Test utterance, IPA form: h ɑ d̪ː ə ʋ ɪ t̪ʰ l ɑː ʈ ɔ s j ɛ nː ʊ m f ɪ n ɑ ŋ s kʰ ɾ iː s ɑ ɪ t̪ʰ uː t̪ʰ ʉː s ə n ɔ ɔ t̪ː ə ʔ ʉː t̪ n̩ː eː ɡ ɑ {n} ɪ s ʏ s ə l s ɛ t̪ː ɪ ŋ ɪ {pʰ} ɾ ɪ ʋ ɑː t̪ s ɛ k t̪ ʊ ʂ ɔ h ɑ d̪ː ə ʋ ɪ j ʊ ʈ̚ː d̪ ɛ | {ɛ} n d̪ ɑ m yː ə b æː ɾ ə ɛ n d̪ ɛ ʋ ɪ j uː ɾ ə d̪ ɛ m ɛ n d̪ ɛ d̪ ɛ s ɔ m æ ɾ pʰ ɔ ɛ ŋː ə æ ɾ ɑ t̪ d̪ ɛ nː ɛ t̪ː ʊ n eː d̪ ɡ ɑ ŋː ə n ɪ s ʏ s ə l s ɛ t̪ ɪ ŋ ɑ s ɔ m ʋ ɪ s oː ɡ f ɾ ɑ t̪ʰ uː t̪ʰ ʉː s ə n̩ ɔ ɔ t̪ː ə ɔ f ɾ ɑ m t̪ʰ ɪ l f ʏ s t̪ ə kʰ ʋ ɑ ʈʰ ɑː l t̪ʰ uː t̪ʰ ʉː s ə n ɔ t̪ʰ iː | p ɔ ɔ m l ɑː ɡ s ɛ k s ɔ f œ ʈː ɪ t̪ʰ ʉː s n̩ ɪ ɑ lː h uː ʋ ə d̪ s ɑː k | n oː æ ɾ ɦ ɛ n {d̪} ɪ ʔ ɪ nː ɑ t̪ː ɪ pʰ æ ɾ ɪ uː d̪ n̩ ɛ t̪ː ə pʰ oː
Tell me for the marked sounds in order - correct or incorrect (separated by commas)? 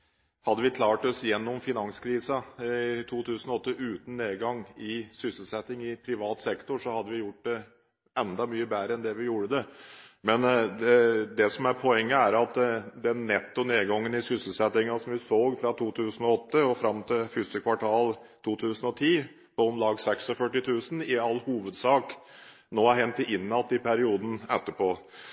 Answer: incorrect, correct, correct, incorrect